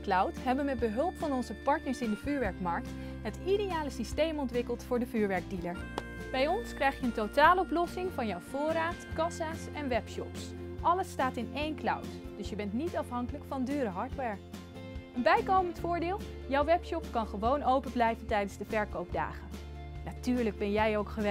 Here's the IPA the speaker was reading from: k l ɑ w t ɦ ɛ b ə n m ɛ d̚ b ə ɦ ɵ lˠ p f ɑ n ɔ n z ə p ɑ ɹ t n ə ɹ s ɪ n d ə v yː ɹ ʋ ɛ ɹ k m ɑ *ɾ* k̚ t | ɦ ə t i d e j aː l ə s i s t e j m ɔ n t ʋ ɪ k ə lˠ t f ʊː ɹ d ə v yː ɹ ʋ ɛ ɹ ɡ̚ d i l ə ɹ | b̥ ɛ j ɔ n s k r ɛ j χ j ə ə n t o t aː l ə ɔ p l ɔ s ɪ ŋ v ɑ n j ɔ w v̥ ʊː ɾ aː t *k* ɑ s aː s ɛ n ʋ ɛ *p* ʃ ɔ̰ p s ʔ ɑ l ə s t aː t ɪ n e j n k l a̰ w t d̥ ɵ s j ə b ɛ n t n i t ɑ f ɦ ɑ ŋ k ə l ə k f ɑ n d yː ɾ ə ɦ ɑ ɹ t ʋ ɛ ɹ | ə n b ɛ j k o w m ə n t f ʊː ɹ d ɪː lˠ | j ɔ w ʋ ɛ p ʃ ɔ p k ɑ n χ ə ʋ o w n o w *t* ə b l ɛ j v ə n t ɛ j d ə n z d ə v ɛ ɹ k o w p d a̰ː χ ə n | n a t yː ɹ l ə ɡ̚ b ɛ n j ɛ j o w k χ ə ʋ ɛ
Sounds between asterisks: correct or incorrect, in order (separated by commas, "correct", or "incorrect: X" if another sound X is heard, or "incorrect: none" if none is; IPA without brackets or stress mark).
incorrect: ɹ, correct, correct, incorrect: p